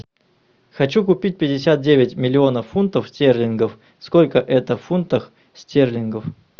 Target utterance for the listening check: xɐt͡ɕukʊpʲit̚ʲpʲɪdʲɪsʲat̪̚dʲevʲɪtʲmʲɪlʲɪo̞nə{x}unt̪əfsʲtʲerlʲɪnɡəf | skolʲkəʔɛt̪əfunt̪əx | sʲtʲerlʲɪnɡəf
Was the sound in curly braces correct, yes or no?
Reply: no